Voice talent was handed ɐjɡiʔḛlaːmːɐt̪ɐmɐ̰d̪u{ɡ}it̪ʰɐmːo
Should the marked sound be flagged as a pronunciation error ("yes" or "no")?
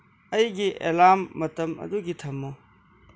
no